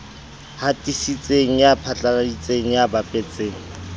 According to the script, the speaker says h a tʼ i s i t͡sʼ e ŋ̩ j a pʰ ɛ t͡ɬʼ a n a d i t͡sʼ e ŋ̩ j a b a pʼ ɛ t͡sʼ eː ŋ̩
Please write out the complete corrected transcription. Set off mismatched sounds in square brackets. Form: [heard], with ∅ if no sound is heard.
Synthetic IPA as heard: h a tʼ i s i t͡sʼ e ŋ̩ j a pʰ [a] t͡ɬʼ a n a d i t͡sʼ e ŋ̩ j a b a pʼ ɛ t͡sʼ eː ŋ̩